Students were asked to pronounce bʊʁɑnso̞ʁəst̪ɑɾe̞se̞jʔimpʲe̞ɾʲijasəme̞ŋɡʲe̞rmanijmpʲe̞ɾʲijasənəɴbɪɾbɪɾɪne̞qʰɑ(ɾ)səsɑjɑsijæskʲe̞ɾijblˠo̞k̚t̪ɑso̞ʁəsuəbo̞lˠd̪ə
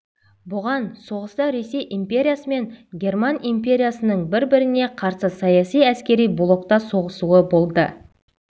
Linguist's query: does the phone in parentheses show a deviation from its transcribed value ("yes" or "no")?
no